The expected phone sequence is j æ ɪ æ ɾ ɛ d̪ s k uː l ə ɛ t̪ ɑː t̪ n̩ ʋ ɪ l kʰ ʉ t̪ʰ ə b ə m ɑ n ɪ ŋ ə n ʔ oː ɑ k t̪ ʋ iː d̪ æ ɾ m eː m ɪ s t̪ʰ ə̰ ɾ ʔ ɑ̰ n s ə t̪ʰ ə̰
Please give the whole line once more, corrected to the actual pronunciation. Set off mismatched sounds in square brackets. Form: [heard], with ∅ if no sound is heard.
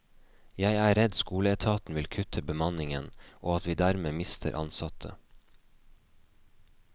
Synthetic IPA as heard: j æ ɪ [æː] ɾ ɛ d̪ s k uː l ə ɛ [t̪ʰ] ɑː t̪ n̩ ʋ ɪ l kʰ ʉ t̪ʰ ə b ə m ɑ n ɪ ŋ ə n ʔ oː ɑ [∅] t̪ ʋ iː d̪ æ ɾ m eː m ɪ s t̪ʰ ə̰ ɾ ʔ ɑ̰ n s [ɑ] t̪ʰ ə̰